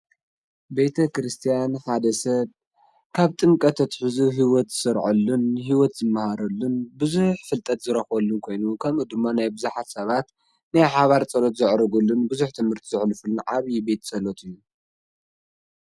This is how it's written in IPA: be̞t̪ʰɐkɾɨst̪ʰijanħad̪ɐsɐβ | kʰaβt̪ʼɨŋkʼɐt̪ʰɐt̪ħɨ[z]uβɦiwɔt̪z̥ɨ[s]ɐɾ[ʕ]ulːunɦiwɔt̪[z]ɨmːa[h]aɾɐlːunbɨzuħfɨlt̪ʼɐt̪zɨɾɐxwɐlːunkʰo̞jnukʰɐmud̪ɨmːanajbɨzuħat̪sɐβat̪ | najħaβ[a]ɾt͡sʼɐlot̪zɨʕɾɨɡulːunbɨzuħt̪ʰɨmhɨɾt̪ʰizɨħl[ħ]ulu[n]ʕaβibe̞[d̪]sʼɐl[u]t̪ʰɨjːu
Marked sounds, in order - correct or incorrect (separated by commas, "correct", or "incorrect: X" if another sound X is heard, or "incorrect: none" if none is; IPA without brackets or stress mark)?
correct, correct, correct, correct, correct, correct, incorrect: f, correct, incorrect: t̪, incorrect: o